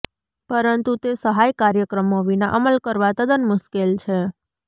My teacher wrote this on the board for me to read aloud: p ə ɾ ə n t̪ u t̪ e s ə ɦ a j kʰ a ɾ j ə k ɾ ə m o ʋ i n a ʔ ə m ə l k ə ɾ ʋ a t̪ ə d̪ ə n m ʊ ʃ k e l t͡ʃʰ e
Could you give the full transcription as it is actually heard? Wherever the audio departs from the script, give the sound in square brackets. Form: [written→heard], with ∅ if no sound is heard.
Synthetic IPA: p ə ɾ ə n t̪ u t̪ e s ə ɦ a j [kʰ→k] a ɾ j ə k ɾ ə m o ʋ i n a ʔ ə m ə l k ə ɾ ʋ a t̪ ə d̪ ə n m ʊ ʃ k e l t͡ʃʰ e